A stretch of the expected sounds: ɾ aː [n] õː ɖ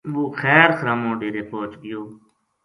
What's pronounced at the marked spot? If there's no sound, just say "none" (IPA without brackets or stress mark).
m